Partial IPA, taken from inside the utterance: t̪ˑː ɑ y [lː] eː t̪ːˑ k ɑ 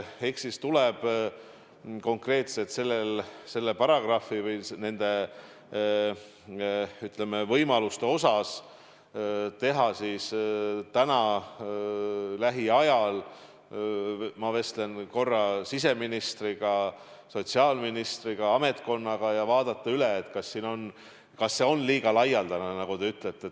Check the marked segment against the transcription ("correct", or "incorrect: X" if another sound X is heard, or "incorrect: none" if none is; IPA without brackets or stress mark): incorrect: l